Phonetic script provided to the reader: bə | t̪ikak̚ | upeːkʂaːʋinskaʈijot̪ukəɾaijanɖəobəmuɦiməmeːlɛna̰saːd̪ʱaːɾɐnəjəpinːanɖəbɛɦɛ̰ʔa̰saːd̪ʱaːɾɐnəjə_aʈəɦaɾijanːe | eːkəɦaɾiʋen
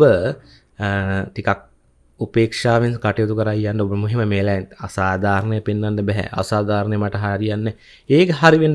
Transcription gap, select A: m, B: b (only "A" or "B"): A